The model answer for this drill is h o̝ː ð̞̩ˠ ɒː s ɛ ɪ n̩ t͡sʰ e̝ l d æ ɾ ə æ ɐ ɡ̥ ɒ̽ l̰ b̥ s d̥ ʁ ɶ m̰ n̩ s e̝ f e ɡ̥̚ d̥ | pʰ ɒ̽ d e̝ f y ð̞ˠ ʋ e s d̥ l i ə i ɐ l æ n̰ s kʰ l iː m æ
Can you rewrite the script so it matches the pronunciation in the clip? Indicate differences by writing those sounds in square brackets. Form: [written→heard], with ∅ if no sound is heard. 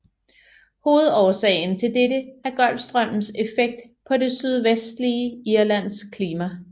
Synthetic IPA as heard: h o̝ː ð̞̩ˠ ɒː s ɛ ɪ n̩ t͡sʰ e̝ l d [æ→e] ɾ ə æ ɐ ɡ̥ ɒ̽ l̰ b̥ s d̥ ʁ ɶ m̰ n̩ s e̝ f e ɡ̥̚ d̥ | pʰ ɒ̽ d e̝ [f→s] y ð̞ˠ ʋ e s d̥ l i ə i ɐ l æ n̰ s kʰ l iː m æ

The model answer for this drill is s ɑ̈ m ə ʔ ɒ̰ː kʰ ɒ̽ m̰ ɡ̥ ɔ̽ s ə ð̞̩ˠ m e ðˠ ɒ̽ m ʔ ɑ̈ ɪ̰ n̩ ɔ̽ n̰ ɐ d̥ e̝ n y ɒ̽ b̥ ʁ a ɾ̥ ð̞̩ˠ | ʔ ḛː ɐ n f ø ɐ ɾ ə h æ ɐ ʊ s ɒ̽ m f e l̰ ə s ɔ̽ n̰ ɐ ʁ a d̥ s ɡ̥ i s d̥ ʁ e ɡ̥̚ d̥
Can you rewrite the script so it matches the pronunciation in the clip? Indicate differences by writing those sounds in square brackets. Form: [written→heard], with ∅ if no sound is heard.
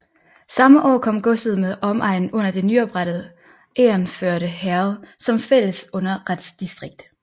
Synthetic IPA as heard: s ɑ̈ m ə ʔ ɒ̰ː kʰ ɒ̽ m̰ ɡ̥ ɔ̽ s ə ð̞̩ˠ m e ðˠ ɒ̽ m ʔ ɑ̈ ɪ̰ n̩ ɔ̽ n̰ ɐ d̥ e̝ n y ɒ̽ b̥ ʁ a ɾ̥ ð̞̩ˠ | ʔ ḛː ɐ n f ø ɐ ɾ ə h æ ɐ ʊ s ɒ̽ m f e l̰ ə s ɔ̽ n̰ ɐ ʁ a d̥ s [ɡ̥→d̥] i s d̥ ʁ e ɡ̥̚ d̥

